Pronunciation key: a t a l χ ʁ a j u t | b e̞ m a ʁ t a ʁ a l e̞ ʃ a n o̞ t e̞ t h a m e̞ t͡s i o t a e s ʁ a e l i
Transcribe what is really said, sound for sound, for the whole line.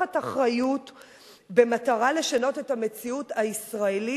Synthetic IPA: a t a χ ʁ a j u t | b e̞ m a t a ʁ a l e̞ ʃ a n o̞ t e̞ t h a m e̞ t͡s i u t a i s ʁ a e l i